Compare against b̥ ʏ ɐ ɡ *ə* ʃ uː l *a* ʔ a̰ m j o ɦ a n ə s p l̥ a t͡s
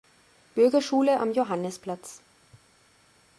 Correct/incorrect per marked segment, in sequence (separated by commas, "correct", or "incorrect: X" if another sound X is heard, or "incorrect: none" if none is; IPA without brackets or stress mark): incorrect: ɐ, incorrect: ə